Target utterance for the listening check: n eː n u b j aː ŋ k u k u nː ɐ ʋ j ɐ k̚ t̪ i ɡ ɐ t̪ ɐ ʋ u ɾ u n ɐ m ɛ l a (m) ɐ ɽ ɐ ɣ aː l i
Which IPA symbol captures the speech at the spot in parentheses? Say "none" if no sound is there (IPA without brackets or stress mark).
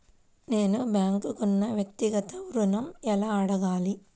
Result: none